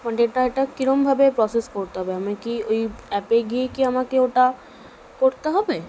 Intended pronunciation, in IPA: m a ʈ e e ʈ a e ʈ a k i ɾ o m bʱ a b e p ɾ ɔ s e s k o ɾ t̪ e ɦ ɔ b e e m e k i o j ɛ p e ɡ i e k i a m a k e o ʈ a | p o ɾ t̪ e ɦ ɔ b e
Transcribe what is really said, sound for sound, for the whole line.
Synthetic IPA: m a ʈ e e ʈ a e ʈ a k i ɾ o m bʱ a b e p ɾ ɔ s e s k o ɾ t̪ e ɦ ɔ b e a m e k i o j ɛ p e ɡ i e k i a m a k e o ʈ a | k o ɾ t̪ e ɦ ɔ b e

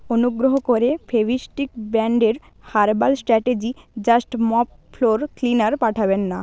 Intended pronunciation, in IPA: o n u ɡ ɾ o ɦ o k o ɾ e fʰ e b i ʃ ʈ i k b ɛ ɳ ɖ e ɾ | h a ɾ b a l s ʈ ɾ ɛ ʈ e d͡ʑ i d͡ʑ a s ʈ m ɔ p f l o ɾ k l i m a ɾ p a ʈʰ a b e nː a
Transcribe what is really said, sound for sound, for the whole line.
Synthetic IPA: o n u ɡ ɾ o ɦ o k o ɾ e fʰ e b i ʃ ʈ i k b ɛ ɳ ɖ e ɾ | h a ɾ b a l s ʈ ɾ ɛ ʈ e d͡ʑ i d͡ʑ a s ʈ m ɔ p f l o ɾ k l i n a ɾ p a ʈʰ a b e nː a

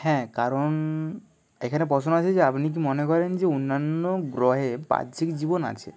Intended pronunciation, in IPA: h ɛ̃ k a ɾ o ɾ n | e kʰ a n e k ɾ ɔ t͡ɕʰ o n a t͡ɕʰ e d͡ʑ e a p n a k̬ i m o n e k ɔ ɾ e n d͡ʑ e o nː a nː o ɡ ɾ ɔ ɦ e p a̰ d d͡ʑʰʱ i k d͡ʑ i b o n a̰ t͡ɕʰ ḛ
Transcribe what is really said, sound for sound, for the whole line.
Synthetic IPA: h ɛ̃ k a ɾ o n | e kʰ a n e p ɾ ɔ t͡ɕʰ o n a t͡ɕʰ e d͡ʑ e a p n i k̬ i m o n e k ɔ ɾ e n d͡ʑ e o nː a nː o ɡ ɾ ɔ ɦ e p a̰ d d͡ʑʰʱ i k d͡ʑ i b o n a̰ t͡ɕʰ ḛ

